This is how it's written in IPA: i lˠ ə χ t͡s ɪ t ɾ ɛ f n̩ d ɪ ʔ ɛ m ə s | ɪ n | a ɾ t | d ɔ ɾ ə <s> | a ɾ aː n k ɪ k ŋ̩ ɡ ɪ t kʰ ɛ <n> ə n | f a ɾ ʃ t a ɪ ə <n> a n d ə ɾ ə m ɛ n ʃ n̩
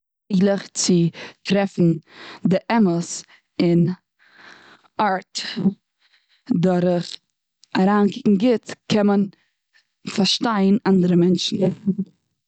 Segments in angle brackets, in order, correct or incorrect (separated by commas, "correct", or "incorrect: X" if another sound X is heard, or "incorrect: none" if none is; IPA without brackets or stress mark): incorrect: χ, incorrect: m, correct